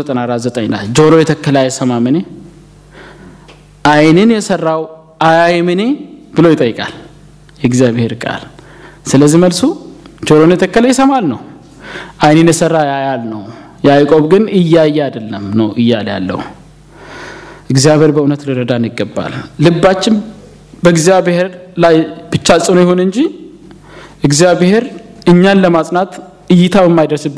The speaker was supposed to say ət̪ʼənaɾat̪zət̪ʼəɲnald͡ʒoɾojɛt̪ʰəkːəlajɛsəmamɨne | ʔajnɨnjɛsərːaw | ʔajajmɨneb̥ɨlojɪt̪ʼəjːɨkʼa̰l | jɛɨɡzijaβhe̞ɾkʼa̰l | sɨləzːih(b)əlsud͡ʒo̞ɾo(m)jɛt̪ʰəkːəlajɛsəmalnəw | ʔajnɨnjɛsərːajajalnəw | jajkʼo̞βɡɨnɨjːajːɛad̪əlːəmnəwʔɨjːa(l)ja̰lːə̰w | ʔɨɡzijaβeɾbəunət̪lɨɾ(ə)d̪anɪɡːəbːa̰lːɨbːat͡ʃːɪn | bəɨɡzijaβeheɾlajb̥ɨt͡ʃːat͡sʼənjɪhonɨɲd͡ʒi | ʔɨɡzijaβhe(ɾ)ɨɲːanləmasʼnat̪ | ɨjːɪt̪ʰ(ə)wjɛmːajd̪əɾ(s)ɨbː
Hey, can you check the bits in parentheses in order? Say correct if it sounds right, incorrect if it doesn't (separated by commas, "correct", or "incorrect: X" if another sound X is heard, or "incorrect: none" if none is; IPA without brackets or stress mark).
incorrect: m, incorrect: n, correct, correct, correct, incorrect: a, correct